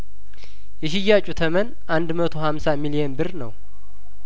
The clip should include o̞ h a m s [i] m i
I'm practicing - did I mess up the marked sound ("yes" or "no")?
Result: yes